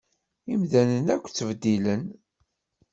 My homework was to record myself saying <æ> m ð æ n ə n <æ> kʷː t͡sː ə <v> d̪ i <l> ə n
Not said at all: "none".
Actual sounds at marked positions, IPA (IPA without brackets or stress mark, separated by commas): i, æ, v, l